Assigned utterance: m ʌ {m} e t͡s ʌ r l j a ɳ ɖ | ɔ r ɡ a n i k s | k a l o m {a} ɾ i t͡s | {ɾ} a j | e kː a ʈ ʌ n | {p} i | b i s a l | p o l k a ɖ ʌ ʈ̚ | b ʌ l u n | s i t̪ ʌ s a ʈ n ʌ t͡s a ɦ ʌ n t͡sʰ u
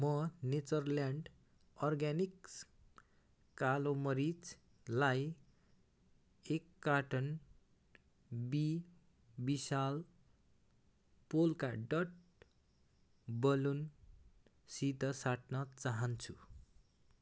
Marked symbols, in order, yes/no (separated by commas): no, no, no, no